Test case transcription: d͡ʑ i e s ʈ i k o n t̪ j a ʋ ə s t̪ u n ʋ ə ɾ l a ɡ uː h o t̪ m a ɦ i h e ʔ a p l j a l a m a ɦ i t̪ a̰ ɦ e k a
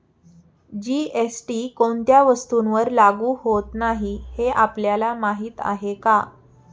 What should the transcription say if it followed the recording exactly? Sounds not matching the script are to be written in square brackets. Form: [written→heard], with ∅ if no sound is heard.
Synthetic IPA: d͡ʑ i e s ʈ i k o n t̪ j a ʋ ə s t̪ u n ʋ ə ɾ l a ɡ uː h o t̪ [m→n] a ɦ i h e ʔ a p l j a l a m a ɦ [i→iː] t̪ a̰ ɦ e k a